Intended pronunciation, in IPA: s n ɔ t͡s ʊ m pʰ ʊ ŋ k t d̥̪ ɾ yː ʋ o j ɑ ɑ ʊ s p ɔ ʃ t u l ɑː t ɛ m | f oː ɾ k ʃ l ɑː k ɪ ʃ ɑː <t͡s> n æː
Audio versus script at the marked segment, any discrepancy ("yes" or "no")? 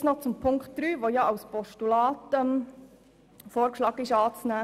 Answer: no